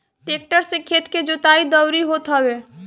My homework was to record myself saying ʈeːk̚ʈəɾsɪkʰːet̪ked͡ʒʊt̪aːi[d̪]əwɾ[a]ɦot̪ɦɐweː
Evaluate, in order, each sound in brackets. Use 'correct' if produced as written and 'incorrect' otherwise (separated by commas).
correct, incorrect